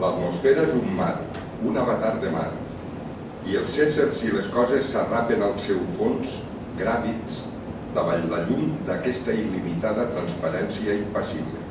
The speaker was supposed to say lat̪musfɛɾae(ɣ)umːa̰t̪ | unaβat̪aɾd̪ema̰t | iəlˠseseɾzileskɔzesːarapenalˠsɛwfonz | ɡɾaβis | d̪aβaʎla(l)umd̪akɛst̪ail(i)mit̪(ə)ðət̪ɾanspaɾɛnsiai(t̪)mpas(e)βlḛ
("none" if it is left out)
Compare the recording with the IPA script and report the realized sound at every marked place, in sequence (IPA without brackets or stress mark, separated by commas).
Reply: z, ʎ, i, a, none, i